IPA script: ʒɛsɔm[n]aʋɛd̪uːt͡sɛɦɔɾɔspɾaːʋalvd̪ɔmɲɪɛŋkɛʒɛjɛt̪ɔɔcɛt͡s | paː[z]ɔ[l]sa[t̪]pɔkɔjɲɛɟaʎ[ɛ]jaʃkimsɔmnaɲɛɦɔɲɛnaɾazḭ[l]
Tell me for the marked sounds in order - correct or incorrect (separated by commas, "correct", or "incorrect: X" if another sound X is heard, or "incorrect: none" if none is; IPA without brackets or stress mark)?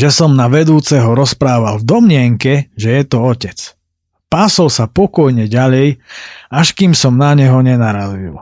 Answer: correct, incorrect: s, correct, incorrect: none, correct, correct